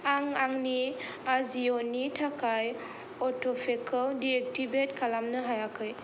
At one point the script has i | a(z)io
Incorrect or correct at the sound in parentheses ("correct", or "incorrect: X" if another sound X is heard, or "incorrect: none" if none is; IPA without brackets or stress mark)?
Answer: correct